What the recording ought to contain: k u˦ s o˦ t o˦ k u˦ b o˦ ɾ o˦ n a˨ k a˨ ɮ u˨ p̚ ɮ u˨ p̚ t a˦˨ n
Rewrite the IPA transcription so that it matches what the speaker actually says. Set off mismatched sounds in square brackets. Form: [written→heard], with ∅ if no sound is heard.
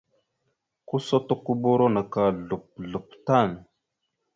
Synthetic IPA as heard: k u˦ s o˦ t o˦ k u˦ b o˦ ɾ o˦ n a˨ k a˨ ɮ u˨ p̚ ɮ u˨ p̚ t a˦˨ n